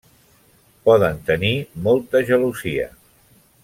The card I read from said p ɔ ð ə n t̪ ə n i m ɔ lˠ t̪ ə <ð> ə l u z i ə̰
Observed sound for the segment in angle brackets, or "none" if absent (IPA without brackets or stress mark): ʒ